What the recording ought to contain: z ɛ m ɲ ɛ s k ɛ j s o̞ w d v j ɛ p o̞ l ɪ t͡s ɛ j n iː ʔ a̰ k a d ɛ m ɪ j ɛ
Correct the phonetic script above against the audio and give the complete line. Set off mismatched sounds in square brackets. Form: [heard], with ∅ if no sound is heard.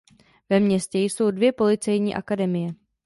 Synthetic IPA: [v] ɛ m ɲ ɛ s [c] ɛ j s o̞ w d v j ɛ p o̞ l ɪ t͡s ɛ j [ɲ] iː ʔ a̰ k a d ɛ m ɪ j ɛ